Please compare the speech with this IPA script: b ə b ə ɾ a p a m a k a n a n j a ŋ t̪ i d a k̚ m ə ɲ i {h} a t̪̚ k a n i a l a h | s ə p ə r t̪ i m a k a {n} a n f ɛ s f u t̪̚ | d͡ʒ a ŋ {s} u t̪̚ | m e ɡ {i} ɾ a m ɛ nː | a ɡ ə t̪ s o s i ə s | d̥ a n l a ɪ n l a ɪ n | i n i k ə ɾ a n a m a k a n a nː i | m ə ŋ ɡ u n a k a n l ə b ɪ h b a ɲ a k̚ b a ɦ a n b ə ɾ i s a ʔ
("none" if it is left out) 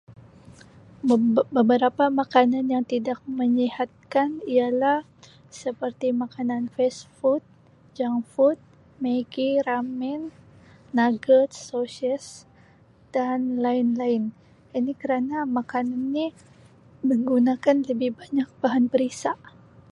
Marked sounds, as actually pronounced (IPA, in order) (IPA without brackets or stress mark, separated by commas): h, n, f, i